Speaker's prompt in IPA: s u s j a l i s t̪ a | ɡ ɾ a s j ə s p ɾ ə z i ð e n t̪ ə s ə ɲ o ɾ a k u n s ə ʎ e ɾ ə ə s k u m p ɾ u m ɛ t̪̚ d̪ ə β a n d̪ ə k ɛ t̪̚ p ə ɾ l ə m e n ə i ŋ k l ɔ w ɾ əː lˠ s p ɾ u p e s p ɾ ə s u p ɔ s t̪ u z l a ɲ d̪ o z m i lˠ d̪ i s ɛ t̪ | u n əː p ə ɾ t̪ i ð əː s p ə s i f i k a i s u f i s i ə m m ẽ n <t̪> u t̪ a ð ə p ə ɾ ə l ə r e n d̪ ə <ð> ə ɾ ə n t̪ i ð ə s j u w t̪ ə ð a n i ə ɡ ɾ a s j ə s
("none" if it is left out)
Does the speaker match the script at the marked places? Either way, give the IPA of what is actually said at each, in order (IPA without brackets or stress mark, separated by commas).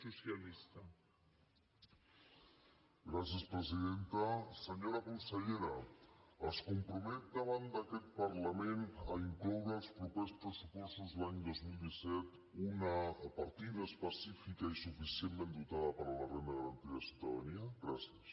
d̪, ɣ